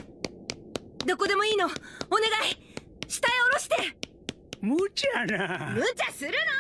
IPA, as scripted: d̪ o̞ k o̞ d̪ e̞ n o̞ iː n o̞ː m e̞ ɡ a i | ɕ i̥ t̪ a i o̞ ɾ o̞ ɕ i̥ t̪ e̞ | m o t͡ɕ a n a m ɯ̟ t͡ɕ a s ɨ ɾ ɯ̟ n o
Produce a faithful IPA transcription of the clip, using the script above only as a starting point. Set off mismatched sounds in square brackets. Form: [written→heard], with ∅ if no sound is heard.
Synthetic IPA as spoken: d̪ o̞ k o̞ d̪ e̞ [n→m] o̞ iː n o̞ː [m→n] e̞ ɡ a i | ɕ i̥ t̪ a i o̞ ɾ o̞ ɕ i̥ t̪ e̞ | m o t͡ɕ a n a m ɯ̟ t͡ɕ a s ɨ ɾ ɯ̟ n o